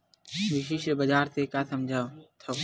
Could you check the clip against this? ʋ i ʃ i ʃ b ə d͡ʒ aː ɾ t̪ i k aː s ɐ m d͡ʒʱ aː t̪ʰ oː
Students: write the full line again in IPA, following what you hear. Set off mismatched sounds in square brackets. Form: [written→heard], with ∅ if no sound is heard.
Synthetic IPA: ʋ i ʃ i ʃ b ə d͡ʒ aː ɾ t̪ [i→e] k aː s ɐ m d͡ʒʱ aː t̪ʰ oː